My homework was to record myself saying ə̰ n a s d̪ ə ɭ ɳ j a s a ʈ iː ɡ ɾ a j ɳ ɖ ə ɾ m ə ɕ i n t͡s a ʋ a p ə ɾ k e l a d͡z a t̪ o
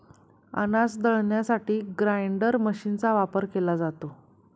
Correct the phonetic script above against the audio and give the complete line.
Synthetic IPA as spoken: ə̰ n a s d̪ ə ɭ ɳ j a s a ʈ iː ɡ ɾ a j ɳ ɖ ə ɾ m ə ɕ i n t͡s a ʋ a p ə ɾ k e l a d͡z a t̪ o